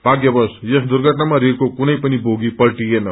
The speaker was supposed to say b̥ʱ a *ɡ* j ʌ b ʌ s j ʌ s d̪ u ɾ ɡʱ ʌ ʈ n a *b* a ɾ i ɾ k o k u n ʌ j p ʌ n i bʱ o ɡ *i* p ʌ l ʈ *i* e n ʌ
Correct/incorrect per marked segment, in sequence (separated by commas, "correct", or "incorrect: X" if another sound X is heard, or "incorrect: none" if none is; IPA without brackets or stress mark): correct, incorrect: m, correct, correct